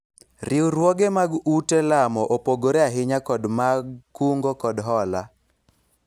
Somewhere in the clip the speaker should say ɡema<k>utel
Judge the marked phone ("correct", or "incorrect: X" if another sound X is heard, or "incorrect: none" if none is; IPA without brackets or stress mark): incorrect: ɡ